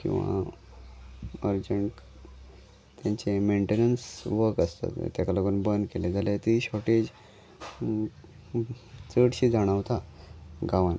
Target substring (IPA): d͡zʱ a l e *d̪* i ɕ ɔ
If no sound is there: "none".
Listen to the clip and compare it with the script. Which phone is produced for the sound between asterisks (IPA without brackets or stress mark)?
t̪